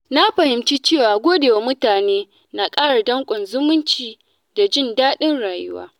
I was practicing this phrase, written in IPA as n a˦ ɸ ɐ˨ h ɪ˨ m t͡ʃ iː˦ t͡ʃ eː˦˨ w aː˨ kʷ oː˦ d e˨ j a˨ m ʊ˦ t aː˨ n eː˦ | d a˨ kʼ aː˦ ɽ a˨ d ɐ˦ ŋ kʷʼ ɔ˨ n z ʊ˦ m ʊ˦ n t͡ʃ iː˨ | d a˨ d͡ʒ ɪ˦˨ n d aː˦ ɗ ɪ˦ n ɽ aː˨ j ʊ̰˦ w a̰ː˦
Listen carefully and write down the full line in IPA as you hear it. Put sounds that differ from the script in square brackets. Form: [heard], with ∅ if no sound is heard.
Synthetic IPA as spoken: n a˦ ɸ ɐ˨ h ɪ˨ m t͡ʃ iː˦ t͡ʃ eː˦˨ w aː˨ [ɡʷ] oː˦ d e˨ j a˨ m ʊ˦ t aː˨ n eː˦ | [n] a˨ kʼ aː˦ ɽ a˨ d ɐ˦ ŋ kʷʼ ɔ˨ n z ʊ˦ m ʊ˦ n t͡ʃ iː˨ | d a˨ d͡ʒ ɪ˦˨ n d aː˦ ɗ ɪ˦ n ɽ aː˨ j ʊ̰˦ w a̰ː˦